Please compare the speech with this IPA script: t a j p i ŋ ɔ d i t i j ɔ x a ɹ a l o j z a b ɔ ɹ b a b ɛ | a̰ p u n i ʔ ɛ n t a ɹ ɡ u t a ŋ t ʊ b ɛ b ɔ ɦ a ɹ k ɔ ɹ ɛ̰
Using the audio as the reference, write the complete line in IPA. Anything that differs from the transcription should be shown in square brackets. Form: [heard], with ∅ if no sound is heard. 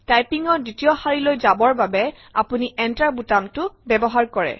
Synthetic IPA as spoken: t a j p i ŋ ɔ d i t i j ɔ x a ɹ [i] l o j z a b ɔ ɹ b a b ɛ | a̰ p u n i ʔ ɛ n t a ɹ [b] u t a [m] t ʊ b ɛ b ɔ ɦ a ɹ k ɔ ɹ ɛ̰